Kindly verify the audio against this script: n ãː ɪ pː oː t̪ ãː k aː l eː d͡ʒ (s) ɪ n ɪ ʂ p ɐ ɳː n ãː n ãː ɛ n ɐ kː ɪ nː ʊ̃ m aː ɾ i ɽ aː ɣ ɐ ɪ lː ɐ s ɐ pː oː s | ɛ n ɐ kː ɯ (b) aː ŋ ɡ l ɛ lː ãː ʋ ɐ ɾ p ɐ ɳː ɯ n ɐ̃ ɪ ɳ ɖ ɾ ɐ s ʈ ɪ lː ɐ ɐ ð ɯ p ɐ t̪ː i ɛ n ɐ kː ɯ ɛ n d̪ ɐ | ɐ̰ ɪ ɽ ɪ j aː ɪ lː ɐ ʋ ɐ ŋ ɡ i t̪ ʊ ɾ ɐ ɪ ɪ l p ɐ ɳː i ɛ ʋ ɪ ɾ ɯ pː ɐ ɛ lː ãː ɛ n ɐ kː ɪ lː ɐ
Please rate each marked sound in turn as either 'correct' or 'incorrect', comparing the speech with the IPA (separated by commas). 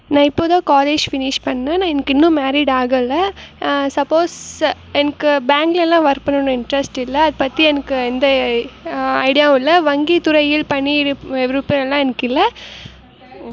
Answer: incorrect, correct